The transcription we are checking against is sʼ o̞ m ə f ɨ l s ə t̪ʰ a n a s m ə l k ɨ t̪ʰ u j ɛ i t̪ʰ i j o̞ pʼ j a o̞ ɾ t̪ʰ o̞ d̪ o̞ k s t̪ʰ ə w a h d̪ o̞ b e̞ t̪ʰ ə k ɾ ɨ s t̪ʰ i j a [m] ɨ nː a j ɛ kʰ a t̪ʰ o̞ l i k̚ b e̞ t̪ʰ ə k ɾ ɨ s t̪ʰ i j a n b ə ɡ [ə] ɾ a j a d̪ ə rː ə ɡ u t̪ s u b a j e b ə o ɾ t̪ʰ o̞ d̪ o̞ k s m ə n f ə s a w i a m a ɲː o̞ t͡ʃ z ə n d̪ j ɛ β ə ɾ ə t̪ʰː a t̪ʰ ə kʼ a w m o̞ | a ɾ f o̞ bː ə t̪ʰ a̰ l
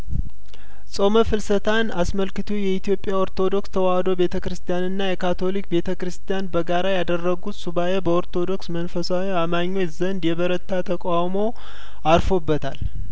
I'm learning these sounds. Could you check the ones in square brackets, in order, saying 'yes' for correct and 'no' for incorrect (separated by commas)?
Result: no, no